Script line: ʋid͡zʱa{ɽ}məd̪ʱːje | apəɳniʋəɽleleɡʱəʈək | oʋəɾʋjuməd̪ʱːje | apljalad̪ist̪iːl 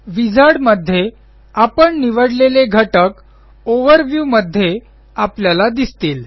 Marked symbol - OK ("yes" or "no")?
yes